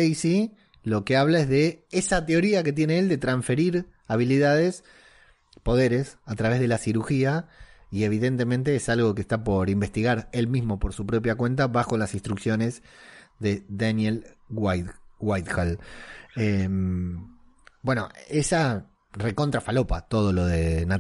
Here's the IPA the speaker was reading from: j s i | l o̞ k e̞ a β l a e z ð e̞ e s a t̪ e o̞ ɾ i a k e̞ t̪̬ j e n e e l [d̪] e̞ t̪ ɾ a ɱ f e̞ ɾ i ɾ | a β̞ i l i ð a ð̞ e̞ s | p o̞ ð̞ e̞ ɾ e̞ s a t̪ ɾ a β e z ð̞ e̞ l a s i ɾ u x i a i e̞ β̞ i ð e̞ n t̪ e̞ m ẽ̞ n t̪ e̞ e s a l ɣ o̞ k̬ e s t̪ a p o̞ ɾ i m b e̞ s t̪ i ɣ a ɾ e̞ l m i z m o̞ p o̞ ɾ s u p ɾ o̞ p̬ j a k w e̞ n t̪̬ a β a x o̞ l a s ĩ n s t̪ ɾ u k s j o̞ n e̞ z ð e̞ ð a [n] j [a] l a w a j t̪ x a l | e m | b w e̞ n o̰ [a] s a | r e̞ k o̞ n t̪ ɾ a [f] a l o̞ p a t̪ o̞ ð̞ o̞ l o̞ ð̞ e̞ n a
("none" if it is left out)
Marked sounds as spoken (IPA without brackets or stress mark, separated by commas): d̪, n, e, e, f